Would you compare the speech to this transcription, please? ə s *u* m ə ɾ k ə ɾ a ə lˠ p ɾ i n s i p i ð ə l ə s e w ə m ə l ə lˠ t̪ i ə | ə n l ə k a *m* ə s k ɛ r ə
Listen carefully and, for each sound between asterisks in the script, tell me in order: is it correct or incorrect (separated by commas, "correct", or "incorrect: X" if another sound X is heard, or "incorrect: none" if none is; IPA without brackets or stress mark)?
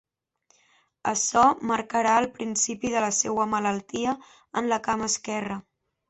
incorrect: ɔ, correct